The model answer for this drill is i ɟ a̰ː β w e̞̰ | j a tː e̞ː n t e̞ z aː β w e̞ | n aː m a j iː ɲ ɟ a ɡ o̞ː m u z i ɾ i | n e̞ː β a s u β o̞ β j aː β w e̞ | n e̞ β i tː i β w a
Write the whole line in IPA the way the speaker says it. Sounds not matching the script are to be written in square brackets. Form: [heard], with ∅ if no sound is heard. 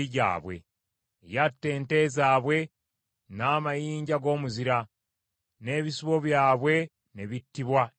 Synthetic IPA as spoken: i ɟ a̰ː β w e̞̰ | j a tː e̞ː n t e̞ z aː β w e̞ | n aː m a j iː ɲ ɟ a ɡ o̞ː m u z i ɾ [a] | n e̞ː β [i] s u β o̞ β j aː β w e̞ | n e̞ β i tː i β w a